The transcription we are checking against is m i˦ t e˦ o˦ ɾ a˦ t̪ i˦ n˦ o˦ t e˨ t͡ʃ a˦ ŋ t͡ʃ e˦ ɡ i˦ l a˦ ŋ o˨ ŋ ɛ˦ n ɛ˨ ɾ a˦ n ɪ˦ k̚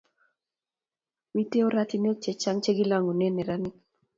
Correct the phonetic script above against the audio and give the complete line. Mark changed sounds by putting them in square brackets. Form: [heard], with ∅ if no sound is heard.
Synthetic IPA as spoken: m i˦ t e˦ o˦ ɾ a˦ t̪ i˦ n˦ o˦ [t͡ʃ] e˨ t͡ʃ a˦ ŋ t͡ʃ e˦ ɡ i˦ l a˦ ŋ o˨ [n] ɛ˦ n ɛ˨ ɾ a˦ n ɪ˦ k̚